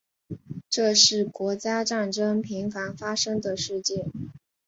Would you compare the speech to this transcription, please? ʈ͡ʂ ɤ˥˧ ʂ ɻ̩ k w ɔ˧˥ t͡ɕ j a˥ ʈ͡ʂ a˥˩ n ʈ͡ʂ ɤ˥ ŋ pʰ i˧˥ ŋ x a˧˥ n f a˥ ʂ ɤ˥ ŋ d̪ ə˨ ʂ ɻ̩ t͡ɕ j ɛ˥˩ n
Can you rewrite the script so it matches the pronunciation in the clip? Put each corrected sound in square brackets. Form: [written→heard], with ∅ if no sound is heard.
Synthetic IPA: ʈ͡ʂ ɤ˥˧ ʂ ɻ̩ k w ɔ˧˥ t͡ɕ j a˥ ʈ͡ʂ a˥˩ n ʈ͡ʂ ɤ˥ ŋ pʰ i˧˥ ŋ [x→f] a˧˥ n f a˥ ʂ ɤ˥ ŋ d̪ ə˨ ʂ ɻ̩ t͡ɕ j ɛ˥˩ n